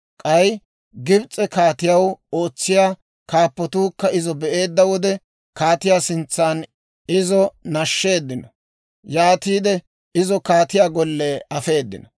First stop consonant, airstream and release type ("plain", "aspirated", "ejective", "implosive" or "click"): ejective